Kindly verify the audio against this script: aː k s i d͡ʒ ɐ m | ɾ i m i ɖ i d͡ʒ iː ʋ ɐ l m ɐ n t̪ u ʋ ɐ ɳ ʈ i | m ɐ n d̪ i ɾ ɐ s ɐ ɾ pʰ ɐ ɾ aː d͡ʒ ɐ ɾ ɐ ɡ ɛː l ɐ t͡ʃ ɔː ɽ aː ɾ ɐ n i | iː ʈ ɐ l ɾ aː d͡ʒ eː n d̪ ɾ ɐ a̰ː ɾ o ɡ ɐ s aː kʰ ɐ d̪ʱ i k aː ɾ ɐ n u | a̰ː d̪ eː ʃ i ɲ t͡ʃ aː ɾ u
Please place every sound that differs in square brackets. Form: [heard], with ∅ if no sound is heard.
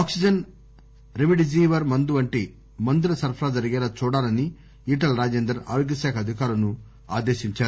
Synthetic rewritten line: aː k s i d͡ʒ ɐ [n] | ɾ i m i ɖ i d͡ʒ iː ʋ ɐ [ɾ] m ɐ n [d̪] u ʋ ɐ ɳ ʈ i | m ɐ n d̪ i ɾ ɐ s ɐ ɾ pʰ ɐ ɾ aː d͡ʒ ɐ ɾ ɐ ɡ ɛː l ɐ t͡ʃ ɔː ɽ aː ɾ ɐ n i | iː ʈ ɐ l ɾ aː d͡ʒ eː n d̪ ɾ ɐ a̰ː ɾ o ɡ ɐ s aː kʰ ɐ d̪ʱ i k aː ɾ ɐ n u | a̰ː d̪ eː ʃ i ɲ t͡ʃ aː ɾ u